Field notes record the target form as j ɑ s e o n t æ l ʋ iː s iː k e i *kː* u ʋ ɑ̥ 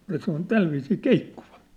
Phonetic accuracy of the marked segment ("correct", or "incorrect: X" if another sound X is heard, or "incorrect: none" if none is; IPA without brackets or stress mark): correct